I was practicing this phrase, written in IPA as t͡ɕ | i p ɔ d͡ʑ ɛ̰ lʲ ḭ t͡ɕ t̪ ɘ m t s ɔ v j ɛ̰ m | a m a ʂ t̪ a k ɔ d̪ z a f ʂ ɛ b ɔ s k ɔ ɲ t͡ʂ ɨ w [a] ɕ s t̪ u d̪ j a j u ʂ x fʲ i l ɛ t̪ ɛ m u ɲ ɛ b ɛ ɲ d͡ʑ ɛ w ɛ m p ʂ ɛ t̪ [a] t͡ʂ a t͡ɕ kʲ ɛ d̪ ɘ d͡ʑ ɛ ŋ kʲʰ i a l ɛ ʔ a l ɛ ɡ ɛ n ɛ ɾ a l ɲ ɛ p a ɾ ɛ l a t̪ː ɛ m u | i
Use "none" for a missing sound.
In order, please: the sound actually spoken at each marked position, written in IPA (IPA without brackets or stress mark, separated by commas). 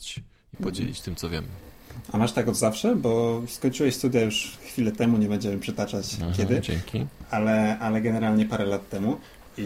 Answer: ɛ, a